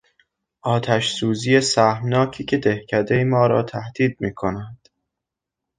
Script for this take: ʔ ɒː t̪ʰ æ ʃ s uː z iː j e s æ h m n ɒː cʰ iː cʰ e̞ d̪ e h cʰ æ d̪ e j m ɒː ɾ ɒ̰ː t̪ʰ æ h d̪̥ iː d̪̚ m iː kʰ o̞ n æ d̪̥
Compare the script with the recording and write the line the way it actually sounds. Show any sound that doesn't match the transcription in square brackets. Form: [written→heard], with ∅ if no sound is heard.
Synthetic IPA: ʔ ɒː t̪ʰ æ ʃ s uː z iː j e s æ h m n ɒː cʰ iː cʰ e̞ d̪ e h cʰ æ d̪ e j m ɒː ɾ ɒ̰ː t̪ʰ æ h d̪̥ iː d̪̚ m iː kʰ o̞ n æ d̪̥